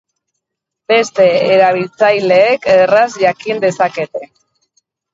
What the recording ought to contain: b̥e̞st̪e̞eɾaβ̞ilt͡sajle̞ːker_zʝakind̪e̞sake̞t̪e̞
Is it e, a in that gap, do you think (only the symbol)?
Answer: a